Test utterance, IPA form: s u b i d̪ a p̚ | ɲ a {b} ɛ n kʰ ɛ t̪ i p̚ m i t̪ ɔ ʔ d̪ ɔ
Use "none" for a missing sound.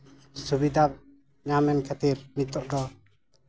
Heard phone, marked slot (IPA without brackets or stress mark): m